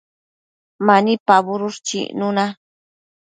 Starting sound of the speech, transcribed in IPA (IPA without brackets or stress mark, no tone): m